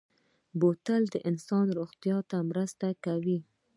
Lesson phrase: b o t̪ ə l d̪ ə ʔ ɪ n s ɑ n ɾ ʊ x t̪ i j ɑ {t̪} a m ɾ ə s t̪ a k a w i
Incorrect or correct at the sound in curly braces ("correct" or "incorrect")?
correct